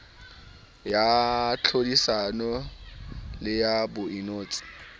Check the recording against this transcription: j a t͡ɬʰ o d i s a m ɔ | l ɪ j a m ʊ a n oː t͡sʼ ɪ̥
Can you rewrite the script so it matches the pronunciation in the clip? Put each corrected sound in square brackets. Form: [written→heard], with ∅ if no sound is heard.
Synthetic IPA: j a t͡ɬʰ o d i s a [m→n] ɔ | l ɪ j a [m→b] ʊ [a→i] n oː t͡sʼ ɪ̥